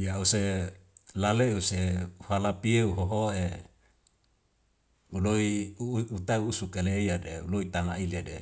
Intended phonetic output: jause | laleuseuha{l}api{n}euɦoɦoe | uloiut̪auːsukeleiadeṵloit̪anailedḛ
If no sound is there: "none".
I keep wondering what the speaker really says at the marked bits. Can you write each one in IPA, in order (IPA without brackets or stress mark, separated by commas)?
l, none